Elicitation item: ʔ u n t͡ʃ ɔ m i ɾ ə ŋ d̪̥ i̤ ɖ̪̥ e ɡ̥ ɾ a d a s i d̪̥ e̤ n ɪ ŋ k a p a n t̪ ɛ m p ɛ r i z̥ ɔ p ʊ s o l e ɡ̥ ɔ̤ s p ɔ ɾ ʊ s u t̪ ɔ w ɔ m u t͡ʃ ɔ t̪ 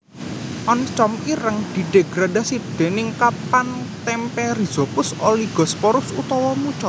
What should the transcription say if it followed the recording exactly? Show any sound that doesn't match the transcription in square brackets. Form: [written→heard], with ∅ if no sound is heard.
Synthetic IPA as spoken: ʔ [u→ɔ] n t͡ʃ ɔ m i ɾ ə ŋ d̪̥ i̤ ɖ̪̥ e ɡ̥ ɾ a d a s i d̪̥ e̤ n ɪ ŋ k a p a n t̪ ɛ m p ɛ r i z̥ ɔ p ʊ s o l [e→i] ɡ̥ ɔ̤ s p ɔ ɾ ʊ s u t̪ ɔ w ɔ m u t͡ʃ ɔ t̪

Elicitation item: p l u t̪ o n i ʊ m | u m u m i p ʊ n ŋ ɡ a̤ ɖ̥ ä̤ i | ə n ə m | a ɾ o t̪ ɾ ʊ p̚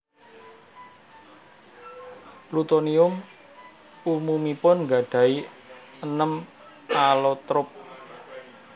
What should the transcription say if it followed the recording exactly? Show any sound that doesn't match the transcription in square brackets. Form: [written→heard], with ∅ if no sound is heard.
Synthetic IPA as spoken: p l u t̪ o n i ʊ m | u m u m i p ʊ n ŋ ɡ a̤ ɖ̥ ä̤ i | ə n ə m | a [ɾ→l] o t̪ ɾ ʊ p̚

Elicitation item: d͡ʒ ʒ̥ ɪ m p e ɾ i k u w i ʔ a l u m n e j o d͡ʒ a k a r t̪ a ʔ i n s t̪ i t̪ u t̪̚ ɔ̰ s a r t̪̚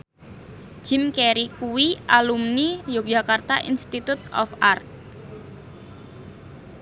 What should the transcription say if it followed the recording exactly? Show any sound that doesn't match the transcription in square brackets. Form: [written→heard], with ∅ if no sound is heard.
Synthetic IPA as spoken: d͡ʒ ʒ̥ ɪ m [p→k] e ɾ i k u w i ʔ a l u m n [e→i] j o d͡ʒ a k a r t̪ a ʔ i n s t̪ i t̪ u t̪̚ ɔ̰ [s→f] a r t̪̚

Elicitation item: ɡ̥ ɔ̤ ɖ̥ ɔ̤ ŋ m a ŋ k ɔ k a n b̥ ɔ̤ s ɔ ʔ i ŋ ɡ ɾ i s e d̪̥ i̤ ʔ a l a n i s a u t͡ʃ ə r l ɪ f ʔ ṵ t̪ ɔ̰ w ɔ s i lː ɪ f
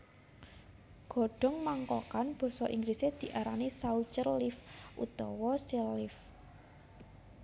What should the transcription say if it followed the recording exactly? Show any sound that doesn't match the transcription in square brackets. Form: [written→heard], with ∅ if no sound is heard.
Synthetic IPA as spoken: ɡ̥ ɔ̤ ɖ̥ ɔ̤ ŋ m a ŋ k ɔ k a n b̥ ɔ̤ s ɔ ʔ i ŋ ɡ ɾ i s e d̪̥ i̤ ʔ a [l→ɾ] a n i s a u t͡ʃ ə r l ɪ f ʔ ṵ t̪ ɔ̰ w ɔ s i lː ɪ f

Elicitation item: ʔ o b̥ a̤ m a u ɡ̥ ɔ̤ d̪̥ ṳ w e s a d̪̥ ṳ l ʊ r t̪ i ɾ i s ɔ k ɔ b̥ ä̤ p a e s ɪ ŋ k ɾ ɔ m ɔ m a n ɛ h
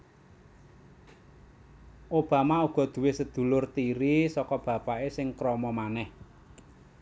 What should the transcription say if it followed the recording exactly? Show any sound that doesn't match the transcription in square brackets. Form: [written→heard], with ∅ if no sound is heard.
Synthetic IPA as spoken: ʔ o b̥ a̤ m a u ɡ̥ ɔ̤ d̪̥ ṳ w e s [a→ə] d̪̥ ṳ l ʊ r t̪ i ɾ i s ɔ k ɔ b̥ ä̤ p a e s ɪ ŋ k ɾ ɔ m ɔ m a n ɛ h

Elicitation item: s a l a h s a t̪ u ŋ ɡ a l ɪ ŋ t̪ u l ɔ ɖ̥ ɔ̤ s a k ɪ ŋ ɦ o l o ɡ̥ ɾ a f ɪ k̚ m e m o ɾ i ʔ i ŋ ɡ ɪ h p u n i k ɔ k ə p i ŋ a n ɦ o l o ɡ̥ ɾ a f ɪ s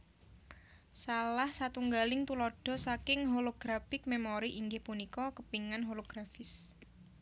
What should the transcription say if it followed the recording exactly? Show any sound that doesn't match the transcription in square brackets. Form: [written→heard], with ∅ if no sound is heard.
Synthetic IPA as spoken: s a l a h s a t̪ u ŋ ɡ a l ɪ ŋ t̪ u l ɔ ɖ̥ ɔ̤ s a k ɪ ŋ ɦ o l o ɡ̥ ɾ a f ɪ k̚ m e m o ɾ i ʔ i ŋ ɡ ɪ h p u n i k ɔ k ə p i ŋ a n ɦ o l o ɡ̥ ɾ a f ɪ s

